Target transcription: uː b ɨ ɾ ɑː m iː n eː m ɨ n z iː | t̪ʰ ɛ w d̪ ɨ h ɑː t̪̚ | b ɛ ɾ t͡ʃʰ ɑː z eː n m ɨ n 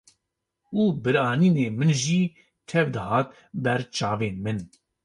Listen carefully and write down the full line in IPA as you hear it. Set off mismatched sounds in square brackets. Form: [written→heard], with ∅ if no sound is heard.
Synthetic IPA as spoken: uː b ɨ ɾ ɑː [m→n] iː n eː m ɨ n [z→ʒ] iː | t̪ʰ ɛ [w→v] d̪ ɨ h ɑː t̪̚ | b ɛ ɾ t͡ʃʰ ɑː [z→v] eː n m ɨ n